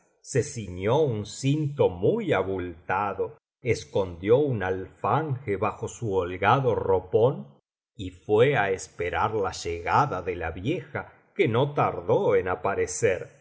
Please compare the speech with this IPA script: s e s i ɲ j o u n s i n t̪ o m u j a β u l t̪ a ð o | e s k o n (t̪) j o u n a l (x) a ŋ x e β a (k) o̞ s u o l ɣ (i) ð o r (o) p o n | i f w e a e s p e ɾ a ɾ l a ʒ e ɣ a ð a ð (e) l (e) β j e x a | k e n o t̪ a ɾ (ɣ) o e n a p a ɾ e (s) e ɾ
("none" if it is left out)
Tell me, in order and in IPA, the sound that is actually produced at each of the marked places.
d̪, f, x, a, o, e, a, ð, s

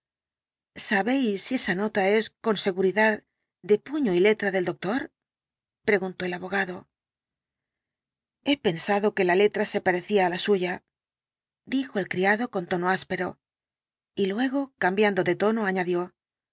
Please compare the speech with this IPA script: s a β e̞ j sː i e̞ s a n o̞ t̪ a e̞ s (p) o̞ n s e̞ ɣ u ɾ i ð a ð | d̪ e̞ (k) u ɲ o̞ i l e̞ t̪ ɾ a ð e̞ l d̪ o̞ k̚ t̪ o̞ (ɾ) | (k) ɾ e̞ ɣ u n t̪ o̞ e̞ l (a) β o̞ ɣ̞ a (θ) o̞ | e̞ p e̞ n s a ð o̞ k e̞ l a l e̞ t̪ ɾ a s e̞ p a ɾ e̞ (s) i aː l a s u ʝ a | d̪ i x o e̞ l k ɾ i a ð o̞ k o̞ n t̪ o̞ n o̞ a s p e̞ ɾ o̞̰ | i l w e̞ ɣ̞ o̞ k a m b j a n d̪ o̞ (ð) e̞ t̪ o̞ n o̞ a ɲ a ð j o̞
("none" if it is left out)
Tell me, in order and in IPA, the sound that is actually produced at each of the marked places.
k, p, ɾ, p, a, ð, θ, ð

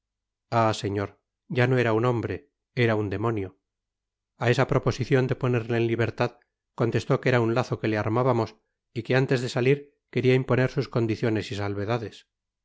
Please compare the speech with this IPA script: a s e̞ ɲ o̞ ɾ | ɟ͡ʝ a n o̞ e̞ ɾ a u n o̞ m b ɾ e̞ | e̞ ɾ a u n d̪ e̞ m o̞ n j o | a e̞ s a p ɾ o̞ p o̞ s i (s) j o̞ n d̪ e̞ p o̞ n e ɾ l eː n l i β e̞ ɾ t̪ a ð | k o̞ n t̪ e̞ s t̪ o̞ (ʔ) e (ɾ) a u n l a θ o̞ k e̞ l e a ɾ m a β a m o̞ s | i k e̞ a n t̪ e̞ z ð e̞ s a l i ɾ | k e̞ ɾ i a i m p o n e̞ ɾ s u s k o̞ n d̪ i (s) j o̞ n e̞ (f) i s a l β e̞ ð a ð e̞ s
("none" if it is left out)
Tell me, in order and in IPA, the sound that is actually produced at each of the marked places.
θ, k, ɾ, θ, s

